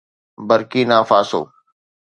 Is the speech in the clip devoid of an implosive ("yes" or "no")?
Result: yes